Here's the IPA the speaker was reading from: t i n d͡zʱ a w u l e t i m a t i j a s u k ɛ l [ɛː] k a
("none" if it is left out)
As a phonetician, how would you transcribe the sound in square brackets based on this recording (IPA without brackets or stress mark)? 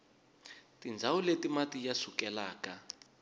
aː